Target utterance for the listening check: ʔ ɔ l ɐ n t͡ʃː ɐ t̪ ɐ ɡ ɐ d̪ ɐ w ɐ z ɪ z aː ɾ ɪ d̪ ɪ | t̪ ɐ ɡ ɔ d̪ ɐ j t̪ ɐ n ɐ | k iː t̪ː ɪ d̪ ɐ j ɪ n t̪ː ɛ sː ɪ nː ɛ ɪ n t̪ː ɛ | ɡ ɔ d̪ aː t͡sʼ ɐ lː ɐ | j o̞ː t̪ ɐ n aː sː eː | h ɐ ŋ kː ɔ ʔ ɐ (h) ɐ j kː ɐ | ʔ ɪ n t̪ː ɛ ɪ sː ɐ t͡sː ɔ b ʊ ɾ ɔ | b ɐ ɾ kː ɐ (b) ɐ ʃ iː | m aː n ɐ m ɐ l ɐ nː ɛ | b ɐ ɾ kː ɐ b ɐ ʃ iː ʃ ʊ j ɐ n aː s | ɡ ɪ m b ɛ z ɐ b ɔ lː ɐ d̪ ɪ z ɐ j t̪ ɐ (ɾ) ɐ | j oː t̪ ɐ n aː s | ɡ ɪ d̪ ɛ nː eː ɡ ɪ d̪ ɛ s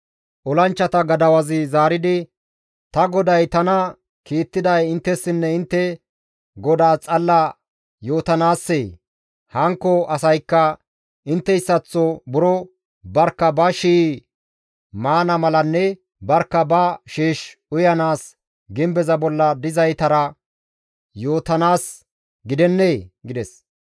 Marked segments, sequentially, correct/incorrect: incorrect: s, correct, correct

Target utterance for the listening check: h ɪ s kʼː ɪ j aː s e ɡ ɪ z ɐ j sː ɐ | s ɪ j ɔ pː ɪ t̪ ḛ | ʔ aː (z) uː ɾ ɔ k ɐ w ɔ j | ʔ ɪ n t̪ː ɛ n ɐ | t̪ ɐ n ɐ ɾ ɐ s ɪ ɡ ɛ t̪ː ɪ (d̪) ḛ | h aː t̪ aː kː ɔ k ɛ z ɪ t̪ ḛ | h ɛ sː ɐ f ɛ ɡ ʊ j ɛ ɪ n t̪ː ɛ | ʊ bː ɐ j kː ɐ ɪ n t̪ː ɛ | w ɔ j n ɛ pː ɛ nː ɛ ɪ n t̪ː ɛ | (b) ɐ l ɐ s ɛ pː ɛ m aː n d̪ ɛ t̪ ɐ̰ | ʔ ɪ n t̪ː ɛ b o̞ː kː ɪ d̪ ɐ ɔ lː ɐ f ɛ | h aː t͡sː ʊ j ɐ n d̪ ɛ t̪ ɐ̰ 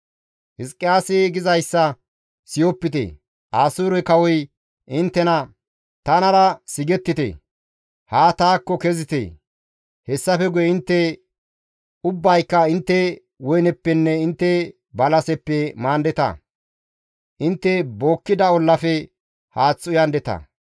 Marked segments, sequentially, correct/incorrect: incorrect: s, incorrect: t̪, correct

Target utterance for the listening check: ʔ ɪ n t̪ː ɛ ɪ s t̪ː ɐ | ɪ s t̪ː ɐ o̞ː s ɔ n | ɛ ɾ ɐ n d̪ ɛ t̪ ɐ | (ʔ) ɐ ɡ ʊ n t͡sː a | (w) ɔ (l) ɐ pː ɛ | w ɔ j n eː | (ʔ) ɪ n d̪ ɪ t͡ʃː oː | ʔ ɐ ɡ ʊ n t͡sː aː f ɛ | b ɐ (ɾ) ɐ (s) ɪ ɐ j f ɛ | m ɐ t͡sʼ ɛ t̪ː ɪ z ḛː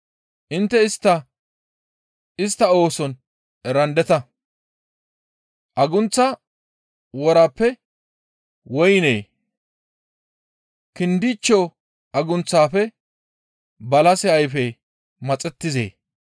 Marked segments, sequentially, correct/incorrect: correct, correct, incorrect: ɾ, incorrect: k, incorrect: l, correct

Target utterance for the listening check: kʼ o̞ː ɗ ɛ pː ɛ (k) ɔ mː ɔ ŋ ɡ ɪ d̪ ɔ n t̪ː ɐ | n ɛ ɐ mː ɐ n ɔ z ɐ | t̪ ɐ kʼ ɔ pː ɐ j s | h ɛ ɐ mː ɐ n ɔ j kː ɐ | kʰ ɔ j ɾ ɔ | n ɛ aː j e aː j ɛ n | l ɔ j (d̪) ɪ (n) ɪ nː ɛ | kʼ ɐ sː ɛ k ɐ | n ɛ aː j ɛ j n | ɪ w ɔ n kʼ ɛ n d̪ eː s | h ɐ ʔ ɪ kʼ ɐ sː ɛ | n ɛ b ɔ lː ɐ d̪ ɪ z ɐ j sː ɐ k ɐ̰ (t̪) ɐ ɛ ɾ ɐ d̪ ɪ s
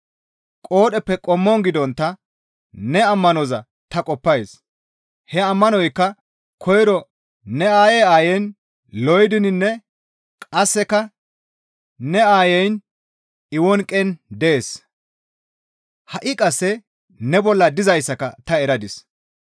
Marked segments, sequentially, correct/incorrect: incorrect: kʼ, correct, correct, correct

